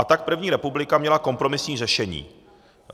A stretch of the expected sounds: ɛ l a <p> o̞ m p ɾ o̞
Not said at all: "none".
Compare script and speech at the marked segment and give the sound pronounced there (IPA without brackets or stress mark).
k